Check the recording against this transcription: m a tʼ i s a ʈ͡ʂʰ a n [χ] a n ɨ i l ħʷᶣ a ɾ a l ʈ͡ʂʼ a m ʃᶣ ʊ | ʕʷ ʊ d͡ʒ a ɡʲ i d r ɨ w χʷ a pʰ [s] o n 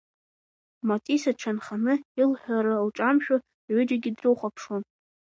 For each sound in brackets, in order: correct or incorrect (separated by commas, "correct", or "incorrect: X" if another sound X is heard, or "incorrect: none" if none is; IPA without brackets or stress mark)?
correct, incorrect: ʂ